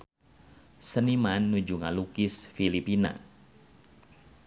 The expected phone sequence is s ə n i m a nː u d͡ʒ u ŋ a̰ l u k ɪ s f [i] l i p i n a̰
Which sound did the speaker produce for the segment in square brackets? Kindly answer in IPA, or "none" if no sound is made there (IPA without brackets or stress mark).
i